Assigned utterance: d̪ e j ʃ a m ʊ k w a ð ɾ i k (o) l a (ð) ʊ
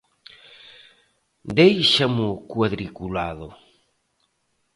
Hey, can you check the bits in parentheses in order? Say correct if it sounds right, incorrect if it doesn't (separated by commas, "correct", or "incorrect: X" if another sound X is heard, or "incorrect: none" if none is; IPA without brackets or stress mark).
incorrect: u, correct